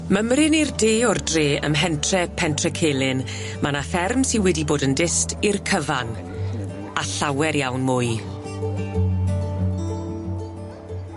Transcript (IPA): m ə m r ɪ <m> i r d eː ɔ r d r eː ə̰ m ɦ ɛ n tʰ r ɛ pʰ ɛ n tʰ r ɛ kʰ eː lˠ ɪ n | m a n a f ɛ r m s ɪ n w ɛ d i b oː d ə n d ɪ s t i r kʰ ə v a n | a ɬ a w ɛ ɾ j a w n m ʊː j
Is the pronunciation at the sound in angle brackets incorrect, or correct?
incorrect